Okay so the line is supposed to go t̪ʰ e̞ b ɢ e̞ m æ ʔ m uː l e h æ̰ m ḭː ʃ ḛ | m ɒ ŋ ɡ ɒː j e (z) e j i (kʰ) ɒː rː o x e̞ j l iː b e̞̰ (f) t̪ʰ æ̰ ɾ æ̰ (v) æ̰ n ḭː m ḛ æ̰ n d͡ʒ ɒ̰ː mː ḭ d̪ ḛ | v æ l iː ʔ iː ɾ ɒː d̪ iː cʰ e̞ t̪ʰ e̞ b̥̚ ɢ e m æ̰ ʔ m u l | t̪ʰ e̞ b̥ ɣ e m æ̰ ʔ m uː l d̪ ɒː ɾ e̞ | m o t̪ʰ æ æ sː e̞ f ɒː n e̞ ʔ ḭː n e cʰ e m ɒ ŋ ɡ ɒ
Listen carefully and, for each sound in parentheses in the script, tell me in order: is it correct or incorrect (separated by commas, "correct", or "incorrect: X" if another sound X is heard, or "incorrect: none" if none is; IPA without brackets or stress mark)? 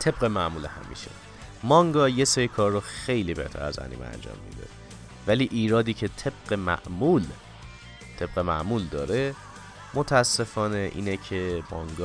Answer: incorrect: s, correct, incorrect: h, incorrect: z